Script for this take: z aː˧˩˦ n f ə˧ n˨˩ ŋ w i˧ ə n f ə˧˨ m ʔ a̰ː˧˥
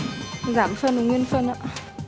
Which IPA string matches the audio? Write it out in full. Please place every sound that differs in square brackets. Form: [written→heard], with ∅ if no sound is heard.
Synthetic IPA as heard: z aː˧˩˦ [n→m] f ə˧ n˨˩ ŋ w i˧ ə n f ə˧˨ [m→n] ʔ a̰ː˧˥